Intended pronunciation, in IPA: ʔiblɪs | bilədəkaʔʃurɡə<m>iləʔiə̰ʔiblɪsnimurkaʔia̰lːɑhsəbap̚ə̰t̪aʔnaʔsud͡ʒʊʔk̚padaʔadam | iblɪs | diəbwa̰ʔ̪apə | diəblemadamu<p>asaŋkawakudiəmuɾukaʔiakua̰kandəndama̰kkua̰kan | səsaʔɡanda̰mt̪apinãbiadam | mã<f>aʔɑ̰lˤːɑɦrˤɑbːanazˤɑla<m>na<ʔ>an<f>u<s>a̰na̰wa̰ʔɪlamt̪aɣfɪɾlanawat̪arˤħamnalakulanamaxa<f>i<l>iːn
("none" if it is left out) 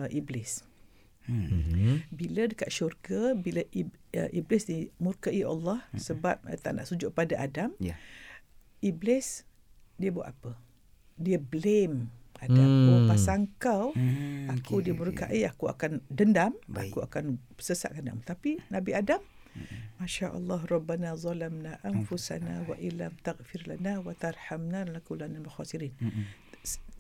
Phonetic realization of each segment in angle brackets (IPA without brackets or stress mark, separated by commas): b, p, ʃ, m, ʔ, f, s, s, ɾ